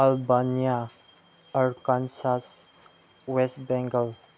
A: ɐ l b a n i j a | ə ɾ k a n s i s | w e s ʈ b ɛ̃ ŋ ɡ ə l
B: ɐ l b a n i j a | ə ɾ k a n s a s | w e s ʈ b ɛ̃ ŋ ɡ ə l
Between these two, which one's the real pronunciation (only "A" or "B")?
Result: B